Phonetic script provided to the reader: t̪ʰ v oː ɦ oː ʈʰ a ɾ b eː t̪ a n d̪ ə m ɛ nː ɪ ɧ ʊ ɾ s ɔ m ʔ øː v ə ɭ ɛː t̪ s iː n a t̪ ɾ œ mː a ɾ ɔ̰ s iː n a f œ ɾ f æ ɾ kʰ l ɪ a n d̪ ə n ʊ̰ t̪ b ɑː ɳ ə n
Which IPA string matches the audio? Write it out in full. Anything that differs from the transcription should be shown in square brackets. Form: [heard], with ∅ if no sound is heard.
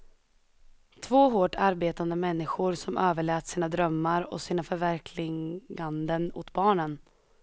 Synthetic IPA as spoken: t̪ʰ v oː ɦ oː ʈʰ a ɾ b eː t̪ a n d̪ ə m ɛ nː ɪ ɧ ʊ ɾ s ɔ m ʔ øː v ə ɭ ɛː t̪ s iː n a [d̪] ɾ œ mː a ɾ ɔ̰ s iː n a f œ ɾ [v] æ ɾ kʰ l ɪ a n d̪ ə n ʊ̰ t̪ b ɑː ɳ ə n

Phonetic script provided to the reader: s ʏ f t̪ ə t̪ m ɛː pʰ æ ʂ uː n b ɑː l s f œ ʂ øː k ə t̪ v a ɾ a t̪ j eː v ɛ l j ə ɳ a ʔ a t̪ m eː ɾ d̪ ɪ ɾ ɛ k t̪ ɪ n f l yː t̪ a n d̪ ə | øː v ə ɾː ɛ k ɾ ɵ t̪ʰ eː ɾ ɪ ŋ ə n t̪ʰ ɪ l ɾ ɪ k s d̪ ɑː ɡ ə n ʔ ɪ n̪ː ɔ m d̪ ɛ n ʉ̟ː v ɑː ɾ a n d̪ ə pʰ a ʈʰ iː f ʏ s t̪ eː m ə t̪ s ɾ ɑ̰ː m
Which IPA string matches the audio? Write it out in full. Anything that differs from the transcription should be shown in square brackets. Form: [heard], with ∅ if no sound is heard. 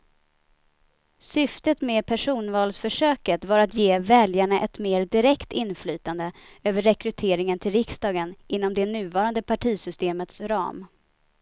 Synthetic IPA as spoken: s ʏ f t̪ ə t̪ m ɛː pʰ æ ʂ uː n [v] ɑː l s f œ ʂ øː k ə t̪ v a ɾ a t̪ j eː v ɛ l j [a] ɳ a ʔ [ɛ] t̪ m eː ɾ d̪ ɪ ɾ ɛ k t̪ ɪ n f l yː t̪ a n d̪ ə | øː v ə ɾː ɛ k ɾ ɵ t̪ʰ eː ɾ ɪ ŋ ə n t̪ʰ ɪ l ɾ ɪ k s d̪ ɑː ɡ ə n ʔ ɪ n̪ː ɔ m d̪ ɛ n ʉ̟ː v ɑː ɾ a n d̪ ə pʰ a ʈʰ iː [s] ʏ s t̪ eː m ə t̪ s ɾ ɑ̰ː m

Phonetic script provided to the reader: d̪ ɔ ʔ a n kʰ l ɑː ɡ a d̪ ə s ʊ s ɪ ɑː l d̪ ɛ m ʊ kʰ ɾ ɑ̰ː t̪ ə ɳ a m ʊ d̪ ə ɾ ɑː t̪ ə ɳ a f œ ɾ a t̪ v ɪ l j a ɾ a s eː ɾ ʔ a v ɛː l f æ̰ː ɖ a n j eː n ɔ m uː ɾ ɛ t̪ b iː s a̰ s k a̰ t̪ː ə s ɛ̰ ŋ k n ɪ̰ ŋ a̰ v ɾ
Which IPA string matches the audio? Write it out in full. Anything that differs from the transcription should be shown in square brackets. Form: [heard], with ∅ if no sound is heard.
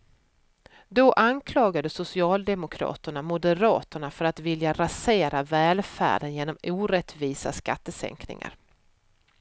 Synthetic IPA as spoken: d̪ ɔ ʔ a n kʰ l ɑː ɡ a d̪ ə s ʊ s ɪ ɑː l d̪ ɛ m ʊ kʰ ɾ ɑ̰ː t̪ ə ɳ a m ʊ d̪ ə ɾ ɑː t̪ ə ɳ a f œ ɾ a t̪ v ɪ l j a ɾ a s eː ɾ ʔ a v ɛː l f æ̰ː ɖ [ə] n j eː n ɔ m uː ɾ ɛ t̪ [v] iː s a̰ s k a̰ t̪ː ə s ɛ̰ ŋ k n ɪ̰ ŋ a̰ [∅] ɾ

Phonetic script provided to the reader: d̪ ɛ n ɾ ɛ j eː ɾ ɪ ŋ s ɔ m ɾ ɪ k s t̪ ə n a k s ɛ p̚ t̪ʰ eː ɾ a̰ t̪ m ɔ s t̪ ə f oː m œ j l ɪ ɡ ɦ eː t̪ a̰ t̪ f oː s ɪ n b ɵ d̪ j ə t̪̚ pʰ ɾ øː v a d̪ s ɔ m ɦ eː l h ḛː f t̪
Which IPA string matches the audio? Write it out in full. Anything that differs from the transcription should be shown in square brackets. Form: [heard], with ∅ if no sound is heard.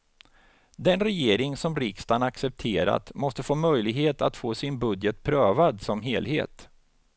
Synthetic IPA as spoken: d̪ ɛ n ɾ ɛ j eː ɾ ɪ ŋ s ɔ m ɾ ɪ k s t̪ [a] n a k s ɛ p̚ t̪ʰ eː ɾ a̰ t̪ m ɔ s t̪ ə f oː m œ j l ɪ ɡ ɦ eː t̪ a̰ t̪ f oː s ɪ n b ɵ d̪ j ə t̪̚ pʰ ɾ øː v a d̪ s ɔ m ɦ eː l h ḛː [∅] t̪

